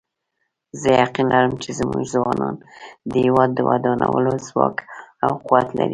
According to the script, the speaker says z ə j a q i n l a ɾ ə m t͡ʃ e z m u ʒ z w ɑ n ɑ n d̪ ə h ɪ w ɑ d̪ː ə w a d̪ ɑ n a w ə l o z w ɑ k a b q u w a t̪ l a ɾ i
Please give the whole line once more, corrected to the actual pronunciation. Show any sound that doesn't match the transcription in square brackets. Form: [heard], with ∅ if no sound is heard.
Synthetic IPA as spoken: z ə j a q i n l a ɾ ə m t͡ʃ e z m u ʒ z w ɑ n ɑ n d̪ ə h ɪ w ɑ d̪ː ə w a d̪ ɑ n a w ə l o z w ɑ k a [w] q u w a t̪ l a ɾ i